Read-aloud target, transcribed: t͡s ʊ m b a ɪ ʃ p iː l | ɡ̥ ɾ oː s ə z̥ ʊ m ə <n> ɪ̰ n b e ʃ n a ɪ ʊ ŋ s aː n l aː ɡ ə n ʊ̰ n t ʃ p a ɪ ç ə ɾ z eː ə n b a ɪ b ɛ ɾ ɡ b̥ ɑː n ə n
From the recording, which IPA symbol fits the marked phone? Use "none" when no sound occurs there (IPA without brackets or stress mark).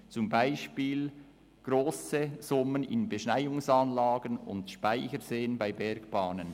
n